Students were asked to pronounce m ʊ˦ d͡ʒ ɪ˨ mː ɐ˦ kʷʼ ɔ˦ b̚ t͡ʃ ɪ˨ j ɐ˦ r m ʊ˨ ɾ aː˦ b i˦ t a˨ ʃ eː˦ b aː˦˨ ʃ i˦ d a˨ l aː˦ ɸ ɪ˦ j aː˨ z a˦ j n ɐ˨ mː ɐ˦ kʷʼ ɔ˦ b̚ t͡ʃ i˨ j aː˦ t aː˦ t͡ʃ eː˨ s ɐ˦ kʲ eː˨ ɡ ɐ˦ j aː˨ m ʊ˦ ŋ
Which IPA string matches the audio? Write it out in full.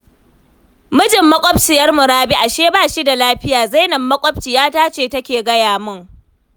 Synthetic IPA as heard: m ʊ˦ d͡ʒ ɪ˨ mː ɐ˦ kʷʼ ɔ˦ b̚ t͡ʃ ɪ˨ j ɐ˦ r m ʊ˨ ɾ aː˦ b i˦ ʔ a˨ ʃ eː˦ b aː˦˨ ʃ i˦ d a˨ l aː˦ ɸ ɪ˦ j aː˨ z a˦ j n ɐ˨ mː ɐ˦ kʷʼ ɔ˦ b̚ t͡ʃ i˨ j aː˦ t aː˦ t͡ʃ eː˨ t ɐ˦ kʲ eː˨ ɡ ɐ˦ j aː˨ m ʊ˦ ŋ